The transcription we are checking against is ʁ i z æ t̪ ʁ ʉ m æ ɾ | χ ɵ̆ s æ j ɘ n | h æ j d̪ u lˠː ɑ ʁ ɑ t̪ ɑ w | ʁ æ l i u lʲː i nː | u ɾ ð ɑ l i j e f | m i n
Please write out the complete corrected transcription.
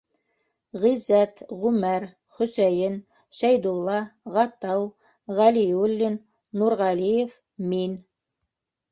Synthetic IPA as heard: ʁ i z æ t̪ ʁ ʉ m æ ɾ | χ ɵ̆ s æ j ɘ n | ʃ æ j d̪ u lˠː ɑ ʁ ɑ t̪ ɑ w | ʁ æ l i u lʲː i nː | u ɾ ʁ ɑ l i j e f | m i n